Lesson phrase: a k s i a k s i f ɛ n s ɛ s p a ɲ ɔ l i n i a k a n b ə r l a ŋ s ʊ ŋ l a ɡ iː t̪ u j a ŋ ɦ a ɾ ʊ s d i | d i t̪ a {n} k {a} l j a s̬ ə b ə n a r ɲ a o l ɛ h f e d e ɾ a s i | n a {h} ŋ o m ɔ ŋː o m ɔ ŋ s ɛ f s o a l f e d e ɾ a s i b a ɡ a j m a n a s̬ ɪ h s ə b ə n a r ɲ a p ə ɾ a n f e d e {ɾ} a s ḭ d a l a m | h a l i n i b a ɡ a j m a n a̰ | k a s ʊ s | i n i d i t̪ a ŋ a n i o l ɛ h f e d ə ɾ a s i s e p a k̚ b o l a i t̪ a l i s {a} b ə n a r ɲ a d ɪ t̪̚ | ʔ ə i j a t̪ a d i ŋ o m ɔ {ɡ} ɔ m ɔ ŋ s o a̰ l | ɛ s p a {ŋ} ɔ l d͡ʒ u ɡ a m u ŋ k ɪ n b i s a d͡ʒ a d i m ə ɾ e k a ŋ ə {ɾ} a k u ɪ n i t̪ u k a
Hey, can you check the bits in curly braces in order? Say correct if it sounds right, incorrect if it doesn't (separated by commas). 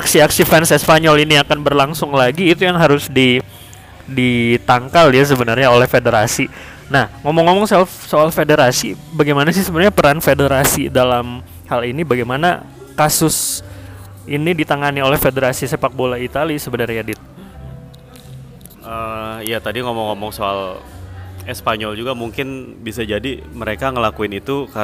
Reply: incorrect, correct, correct, correct, incorrect, incorrect, incorrect, incorrect